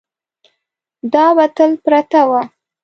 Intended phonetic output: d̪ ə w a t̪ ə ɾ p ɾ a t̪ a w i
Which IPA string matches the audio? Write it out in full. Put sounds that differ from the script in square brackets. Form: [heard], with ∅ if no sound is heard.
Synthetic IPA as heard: d̪ [ɑ] w a t̪ ə [l] p ɾ a t̪ a w [a]